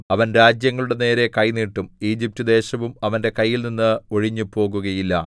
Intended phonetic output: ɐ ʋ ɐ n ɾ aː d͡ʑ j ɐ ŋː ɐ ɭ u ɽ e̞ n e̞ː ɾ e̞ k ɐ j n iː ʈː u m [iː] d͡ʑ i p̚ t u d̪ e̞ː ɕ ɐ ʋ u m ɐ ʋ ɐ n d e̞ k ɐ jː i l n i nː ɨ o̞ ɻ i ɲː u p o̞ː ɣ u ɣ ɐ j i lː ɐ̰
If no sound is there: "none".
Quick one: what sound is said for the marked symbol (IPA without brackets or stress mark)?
iː